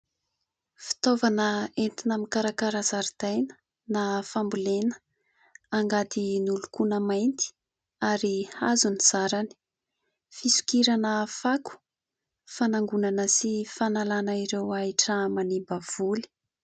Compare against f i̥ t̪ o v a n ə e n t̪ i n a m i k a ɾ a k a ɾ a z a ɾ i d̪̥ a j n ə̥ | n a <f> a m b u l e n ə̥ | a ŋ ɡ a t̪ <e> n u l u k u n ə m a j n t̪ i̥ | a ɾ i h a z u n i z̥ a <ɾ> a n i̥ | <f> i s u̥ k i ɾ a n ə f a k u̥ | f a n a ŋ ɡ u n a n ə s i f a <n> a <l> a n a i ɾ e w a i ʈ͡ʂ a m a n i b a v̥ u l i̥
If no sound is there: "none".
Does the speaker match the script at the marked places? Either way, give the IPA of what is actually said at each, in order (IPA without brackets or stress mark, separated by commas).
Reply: f, i, ɾ, f, n, l